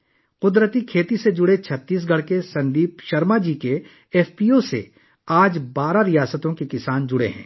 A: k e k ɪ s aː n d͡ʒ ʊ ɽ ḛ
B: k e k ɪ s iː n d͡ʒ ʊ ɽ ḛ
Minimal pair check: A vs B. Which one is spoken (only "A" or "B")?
A